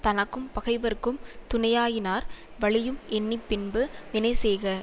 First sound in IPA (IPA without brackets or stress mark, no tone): t̪